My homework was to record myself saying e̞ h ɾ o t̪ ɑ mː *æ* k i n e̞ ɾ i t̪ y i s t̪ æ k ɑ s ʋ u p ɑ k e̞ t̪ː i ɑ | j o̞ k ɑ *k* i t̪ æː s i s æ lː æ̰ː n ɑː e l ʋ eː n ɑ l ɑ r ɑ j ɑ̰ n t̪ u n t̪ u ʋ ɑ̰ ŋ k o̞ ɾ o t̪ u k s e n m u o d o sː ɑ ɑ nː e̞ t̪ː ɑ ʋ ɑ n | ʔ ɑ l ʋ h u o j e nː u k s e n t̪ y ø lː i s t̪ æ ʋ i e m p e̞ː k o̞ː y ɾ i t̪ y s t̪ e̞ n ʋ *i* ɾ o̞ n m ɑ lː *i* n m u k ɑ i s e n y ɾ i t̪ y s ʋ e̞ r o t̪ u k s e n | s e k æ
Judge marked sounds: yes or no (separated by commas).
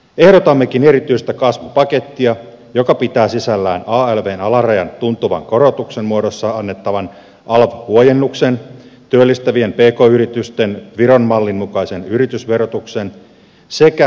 no, no, yes, yes